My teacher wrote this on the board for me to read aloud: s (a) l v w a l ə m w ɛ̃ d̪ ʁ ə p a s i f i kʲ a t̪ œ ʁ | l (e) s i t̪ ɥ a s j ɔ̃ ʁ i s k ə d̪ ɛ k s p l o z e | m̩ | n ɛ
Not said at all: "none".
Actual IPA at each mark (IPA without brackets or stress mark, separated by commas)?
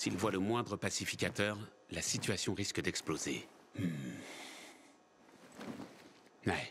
i, a